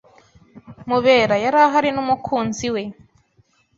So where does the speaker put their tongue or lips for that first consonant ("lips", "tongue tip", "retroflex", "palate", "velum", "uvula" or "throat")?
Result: lips